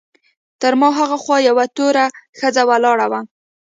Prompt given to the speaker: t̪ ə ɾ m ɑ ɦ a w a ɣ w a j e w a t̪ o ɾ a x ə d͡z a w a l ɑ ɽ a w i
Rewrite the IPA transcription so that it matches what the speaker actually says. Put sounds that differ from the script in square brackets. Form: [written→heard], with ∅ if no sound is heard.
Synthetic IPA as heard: t̪ ə ɾ m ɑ ɦ a [w→ɣ] a [ɣ→x] w [a→ɑ] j [e→a] w a t̪ o ɾ a x ə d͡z a w a l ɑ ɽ a w [i→a]